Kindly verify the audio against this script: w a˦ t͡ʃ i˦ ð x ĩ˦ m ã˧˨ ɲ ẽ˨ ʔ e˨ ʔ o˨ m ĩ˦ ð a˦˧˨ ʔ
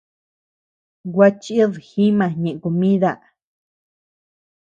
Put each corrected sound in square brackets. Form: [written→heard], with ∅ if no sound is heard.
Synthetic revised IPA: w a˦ t͡ʃ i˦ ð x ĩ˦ m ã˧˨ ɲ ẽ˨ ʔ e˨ [ʔ→k] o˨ m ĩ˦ ð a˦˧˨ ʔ